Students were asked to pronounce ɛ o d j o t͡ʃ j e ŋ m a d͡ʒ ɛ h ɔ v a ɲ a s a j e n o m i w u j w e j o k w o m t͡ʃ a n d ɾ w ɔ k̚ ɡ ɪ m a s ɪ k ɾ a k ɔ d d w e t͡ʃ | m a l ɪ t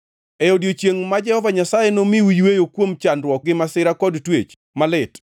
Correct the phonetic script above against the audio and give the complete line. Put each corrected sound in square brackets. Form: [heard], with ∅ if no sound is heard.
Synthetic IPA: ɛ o d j o t͡ʃ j e ŋ m a d͡ʒ ɛ h ɔ v a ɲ a s a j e n o m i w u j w e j o k w o m t͡ʃ a n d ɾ w ɔ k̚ ɡ ɪ m a s ɪ [∅] ɾ a k ɔ d [t] w e t͡ʃ | m a l ɪ t